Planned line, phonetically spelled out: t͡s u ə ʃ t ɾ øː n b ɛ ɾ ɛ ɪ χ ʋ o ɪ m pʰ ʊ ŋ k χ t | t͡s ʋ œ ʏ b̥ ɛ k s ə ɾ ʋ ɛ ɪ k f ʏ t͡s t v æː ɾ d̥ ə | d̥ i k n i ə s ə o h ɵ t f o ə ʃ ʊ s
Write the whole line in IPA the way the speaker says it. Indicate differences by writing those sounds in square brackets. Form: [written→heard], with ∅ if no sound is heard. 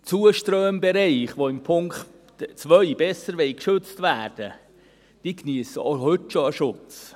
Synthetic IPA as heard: t͡s u ə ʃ t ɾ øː [n→m] b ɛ ɾ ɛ ɪ χ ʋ o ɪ m pʰ ʊ ŋ k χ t | t͡s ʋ œ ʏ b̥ ɛ [k→∅] s ə ɾ ʋ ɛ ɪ k [f→ʃ] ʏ t͡s t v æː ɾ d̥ ə | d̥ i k n i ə s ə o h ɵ t [f→ʃ] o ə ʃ ʊ [s→t͡s]